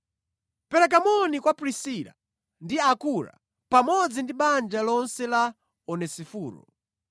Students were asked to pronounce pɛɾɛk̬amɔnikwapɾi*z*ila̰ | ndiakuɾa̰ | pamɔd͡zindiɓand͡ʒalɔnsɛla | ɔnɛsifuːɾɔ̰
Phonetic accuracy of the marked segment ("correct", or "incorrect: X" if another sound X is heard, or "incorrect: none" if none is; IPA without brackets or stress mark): incorrect: s